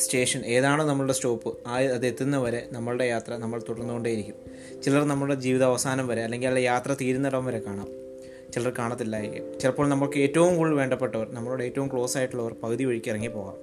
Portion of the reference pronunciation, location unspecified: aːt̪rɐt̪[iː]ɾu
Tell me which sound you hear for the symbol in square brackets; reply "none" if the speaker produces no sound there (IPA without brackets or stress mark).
iː